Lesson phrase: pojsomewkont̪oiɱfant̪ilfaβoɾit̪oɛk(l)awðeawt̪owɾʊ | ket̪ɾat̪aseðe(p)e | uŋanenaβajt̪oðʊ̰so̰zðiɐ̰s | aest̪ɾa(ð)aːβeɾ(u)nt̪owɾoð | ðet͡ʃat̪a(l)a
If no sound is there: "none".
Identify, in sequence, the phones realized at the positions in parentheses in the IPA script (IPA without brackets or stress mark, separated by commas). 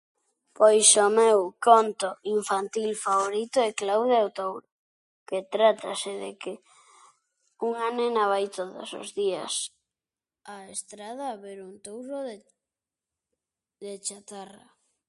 l, k, ð, u, r